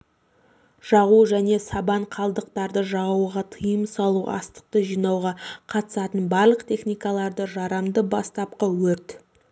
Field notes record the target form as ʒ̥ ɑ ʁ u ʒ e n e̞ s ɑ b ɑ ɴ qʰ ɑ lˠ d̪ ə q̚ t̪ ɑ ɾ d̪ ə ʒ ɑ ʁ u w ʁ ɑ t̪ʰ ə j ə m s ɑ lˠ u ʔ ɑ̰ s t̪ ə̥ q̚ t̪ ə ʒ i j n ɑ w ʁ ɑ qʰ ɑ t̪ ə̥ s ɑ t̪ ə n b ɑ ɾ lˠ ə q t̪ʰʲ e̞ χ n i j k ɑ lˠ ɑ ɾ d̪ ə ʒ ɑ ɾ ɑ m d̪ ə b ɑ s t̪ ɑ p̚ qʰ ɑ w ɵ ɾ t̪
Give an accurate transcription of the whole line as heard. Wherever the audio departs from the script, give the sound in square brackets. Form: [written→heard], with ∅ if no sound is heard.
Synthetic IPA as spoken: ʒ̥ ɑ ʁ u ʒ [e→æ] n e̞ s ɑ b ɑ ɴ qʰ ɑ lˠ d̪ ə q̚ t̪ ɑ ɾ d̪ ə ʒ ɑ ʁ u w ʁ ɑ t̪ʰ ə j ə m s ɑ lˠ u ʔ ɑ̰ s t̪ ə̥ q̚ t̪ ə ʒ i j n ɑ w ʁ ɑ qʰ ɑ t̪ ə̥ s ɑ t̪ ə n b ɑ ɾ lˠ ə q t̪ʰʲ e̞ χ n i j k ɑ lˠ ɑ ɾ d̪ ə ʒ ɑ ɾ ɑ m d̪ ə b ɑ s t̪ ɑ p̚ [qʰ→q] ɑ w ɵ ɾ t̪